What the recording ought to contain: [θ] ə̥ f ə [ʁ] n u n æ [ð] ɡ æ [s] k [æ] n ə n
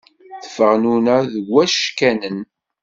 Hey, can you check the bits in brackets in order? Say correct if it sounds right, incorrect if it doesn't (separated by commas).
correct, correct, correct, incorrect, correct